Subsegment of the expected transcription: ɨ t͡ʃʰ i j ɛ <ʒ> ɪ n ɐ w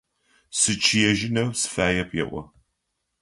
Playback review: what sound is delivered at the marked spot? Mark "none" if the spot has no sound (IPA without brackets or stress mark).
ʒ